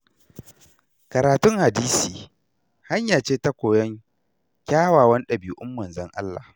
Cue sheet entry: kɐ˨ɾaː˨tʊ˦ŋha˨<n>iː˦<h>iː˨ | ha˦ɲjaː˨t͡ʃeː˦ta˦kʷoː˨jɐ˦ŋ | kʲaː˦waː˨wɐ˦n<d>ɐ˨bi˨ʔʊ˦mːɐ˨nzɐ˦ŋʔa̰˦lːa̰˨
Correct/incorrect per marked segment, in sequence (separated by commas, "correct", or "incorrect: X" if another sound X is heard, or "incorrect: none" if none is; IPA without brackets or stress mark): incorrect: d, incorrect: s, incorrect: ɗ